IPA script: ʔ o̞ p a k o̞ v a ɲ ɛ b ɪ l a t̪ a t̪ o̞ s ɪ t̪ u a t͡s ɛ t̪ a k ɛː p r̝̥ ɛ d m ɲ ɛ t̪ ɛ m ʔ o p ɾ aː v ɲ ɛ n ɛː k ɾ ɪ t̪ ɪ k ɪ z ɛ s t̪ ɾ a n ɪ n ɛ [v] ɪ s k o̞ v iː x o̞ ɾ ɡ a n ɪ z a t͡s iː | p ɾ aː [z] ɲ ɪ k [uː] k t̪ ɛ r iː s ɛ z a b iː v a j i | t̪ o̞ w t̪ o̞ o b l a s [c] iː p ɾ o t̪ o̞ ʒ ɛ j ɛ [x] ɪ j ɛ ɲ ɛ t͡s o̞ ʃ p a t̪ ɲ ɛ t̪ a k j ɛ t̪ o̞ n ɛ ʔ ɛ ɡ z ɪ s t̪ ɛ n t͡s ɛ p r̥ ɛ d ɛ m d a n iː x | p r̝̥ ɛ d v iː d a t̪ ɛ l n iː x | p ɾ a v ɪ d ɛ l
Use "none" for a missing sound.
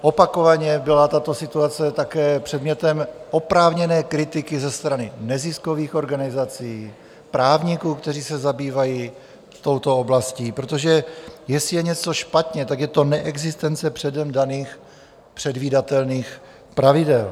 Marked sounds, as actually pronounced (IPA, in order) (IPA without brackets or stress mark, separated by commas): z, v, uː, c, s